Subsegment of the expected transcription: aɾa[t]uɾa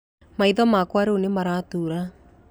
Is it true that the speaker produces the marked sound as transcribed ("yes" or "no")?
yes